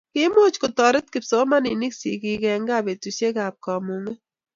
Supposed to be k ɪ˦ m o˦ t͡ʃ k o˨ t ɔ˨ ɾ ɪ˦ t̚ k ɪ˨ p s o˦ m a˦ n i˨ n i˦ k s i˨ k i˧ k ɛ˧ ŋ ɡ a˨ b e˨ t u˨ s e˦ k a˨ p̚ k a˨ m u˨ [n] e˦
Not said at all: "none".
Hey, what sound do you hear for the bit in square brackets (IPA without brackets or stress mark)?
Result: ŋ